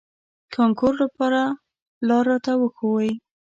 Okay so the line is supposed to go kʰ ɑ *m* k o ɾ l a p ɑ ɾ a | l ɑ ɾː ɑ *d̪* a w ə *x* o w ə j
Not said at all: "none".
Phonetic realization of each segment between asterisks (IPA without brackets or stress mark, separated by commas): ŋ, t̪, x